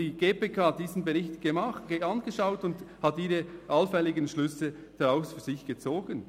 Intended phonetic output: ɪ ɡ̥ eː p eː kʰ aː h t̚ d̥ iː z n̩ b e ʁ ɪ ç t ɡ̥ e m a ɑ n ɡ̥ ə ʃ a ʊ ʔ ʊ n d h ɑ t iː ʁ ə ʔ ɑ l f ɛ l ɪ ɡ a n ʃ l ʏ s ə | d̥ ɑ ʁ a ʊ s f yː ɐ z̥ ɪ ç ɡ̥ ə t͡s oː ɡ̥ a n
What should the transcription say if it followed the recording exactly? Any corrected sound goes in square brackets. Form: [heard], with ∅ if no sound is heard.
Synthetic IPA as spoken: [i] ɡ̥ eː p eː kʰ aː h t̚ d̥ iː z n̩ b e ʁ ɪ ç t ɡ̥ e m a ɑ n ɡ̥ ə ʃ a ʊ [t] ʊ n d h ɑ t iː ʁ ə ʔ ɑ l f ɛ l ɪ ɡ [ə] n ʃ l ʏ s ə | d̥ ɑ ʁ a ʊ s f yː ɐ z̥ ɪ ç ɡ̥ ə t͡s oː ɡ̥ [ə] n